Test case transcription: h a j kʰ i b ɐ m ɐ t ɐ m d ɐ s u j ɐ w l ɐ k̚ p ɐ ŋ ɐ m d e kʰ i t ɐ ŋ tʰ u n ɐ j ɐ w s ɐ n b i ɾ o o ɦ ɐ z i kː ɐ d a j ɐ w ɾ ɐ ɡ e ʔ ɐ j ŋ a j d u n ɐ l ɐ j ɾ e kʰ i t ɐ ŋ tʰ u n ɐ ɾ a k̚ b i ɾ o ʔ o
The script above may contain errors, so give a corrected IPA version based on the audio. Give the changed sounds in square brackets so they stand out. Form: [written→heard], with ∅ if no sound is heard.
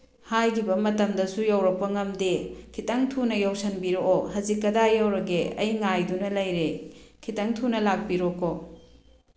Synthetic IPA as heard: h a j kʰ i b ɐ m ɐ t ɐ m d ɐ s u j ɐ w [l→ɾ] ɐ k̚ p ɐ ŋ ɐ m d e kʰ i t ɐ ŋ tʰ u n ɐ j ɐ w s ɐ n b i ɾ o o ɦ ɐ z i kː ɐ d a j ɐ w ɾ ɐ ɡ e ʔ ɐ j ŋ a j d u n ɐ l ɐ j ɾ e kʰ i t ɐ ŋ tʰ u n ɐ [ɾ→l] a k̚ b i ɾ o [ʔ→k] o